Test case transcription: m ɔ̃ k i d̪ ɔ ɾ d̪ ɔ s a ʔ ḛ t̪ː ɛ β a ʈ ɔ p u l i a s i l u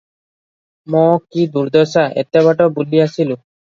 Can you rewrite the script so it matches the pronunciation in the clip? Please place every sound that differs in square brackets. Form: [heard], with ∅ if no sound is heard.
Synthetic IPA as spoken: m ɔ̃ k i d̪ [u] ɾ d̪ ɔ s a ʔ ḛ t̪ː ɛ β a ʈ ɔ [b] u l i a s i l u